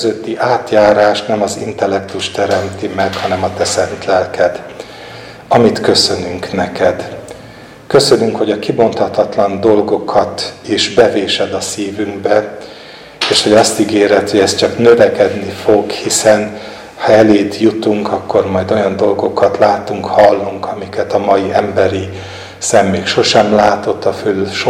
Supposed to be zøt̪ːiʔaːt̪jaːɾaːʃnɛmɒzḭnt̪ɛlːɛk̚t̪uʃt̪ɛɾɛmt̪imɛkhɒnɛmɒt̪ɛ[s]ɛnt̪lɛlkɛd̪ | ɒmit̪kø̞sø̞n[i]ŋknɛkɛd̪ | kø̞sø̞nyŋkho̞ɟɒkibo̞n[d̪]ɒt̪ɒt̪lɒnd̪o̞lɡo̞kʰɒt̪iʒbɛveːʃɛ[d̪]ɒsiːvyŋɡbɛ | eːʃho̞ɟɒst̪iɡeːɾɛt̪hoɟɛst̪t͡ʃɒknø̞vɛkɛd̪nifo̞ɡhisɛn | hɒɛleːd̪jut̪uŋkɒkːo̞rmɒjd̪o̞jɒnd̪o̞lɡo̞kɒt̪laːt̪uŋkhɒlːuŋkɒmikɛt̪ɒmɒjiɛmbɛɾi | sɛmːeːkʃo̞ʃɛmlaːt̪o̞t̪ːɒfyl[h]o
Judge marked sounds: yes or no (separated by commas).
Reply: yes, no, no, yes, no